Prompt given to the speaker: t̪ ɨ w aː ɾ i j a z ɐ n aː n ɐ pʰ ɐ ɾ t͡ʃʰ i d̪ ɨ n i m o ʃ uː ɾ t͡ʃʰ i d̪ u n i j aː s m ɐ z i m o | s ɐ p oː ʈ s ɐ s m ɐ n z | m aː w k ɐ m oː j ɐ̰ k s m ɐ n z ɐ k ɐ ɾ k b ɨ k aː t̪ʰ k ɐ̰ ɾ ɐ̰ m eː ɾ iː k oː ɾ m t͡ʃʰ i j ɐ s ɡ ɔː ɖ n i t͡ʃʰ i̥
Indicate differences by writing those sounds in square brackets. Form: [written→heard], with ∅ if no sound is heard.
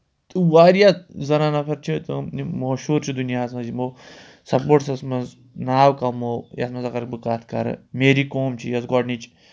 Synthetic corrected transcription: t̪ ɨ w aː ɾ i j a z ɐ n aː n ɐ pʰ ɐ ɾ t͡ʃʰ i [d̪→t̪] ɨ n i m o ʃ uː ɾ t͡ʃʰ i d̪ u n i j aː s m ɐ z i m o | s ɐ p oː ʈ s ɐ s m ɐ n z | [m→n] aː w k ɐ m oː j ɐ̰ [k→∅] s m ɐ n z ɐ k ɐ ɾ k b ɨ k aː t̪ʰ k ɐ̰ ɾ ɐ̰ m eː ɾ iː k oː [ɾ→∅] m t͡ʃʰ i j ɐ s ɡ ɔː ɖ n i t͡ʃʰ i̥